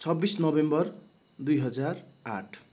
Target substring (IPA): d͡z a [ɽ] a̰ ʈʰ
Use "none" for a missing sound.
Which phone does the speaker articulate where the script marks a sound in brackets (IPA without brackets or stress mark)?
r